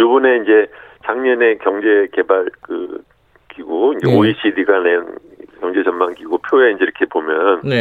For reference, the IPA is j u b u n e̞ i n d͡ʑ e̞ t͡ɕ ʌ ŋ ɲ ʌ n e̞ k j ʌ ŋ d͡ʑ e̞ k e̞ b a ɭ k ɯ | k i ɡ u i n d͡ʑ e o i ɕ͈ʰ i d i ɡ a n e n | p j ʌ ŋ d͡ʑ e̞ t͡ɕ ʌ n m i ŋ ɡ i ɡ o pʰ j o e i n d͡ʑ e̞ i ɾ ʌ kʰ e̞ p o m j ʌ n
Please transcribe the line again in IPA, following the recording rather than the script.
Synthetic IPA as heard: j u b u n e̞ i n d͡ʑ e̞ t͡ɕ a ŋ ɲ ʌ n e̞ k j ʌ ŋ d͡ʑ e̞ k e̞ b a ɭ k ɯ | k i ɡ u i n d͡ʑ e o i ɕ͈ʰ i d i ɡ a n e n | k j ʌ ŋ d͡ʑ e̞ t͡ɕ ʌ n m a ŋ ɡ i ɡ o pʰ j o e i n d͡ʑ e̞ i ɾ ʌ kʰ e̞ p o m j ʌ n